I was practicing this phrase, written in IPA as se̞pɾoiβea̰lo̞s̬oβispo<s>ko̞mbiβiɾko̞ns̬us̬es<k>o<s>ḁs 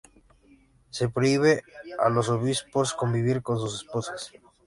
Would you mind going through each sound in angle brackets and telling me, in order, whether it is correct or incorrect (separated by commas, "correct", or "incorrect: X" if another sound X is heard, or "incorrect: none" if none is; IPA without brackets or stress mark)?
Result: correct, incorrect: p, correct